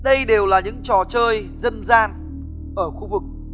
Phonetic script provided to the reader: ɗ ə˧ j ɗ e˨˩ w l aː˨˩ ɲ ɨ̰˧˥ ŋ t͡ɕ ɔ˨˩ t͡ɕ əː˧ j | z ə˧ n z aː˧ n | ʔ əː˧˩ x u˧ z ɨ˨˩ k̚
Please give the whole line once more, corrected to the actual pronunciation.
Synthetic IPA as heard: ɗ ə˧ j ɗ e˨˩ w l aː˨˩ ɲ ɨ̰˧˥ ŋ t͡ɕ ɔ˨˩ t͡ɕ əː˧ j | z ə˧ n z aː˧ n | ʔ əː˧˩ x u˧ v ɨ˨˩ k̚

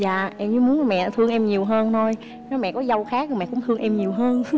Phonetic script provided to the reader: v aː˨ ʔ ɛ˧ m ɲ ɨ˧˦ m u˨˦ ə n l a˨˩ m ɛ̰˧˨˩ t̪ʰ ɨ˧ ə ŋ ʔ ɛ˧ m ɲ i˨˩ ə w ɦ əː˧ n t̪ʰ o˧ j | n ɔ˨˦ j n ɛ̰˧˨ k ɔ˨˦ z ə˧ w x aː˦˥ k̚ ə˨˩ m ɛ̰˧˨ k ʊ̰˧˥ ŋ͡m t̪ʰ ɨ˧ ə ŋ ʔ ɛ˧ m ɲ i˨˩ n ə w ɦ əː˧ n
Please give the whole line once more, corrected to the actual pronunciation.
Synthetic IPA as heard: z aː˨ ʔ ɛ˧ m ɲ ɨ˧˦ m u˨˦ ə n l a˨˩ m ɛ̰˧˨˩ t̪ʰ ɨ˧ ə ŋ ʔ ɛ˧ m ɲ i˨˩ ə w ɦ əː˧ n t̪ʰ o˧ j | n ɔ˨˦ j m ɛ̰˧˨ k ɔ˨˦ z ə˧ w x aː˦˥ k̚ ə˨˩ m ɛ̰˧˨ k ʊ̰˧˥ ŋ͡m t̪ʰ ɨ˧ ə ŋ ʔ ɛ˧ m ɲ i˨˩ ə w ɦ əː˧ n

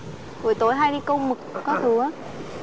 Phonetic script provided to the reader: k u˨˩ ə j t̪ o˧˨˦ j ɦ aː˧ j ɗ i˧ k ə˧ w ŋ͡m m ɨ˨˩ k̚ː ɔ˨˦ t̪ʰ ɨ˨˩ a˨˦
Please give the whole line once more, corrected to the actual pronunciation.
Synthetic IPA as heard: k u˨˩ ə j t̪ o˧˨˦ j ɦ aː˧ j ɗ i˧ k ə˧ w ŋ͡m m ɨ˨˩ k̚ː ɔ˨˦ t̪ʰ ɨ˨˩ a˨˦

